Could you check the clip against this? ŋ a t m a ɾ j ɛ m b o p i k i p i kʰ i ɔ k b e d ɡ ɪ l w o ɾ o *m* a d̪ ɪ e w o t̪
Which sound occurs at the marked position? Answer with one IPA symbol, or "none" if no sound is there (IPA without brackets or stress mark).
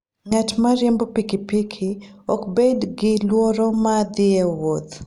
m